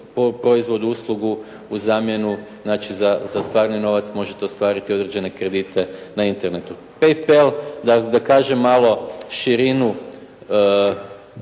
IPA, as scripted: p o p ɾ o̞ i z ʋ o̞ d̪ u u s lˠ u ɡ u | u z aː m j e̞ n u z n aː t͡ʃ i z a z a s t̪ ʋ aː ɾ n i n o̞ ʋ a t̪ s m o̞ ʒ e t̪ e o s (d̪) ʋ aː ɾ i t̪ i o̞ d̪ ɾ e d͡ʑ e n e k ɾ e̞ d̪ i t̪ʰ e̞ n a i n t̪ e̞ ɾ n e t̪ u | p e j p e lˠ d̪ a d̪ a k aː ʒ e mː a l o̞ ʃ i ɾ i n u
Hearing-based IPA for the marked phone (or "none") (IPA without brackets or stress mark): t̪